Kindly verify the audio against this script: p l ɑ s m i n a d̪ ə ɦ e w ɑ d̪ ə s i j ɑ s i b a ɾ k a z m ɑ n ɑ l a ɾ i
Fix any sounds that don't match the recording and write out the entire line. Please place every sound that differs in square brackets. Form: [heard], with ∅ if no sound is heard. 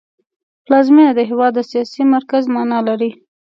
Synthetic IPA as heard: p l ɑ [z] m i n a d̪ ə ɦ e w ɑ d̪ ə s i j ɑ s i [m] a ɾ k a z m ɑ n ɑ l a ɾ i